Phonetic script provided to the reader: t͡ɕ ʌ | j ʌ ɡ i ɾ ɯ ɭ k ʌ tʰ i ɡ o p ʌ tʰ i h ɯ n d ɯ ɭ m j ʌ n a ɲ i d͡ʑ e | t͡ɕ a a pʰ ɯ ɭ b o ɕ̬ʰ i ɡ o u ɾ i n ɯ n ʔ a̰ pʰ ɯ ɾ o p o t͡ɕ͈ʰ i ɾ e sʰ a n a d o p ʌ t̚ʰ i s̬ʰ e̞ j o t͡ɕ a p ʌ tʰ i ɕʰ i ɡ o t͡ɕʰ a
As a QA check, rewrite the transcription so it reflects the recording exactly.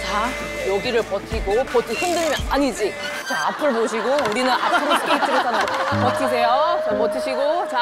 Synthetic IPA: t͡ɕ a | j ʌ ɡ i ɾ ɯ ɭ p ʌ tʰ i ɡ o p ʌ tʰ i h ɯ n d ɯ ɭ m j ʌ n a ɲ i d͡ʑ i | t͡ɕ a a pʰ ɯ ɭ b o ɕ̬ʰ i ɡ o u ɾ i n ɯ n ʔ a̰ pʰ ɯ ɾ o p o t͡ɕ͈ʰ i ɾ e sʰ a n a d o p ʌ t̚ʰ i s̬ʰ e̞ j o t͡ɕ a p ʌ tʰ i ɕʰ i ɡ o t͡ɕ a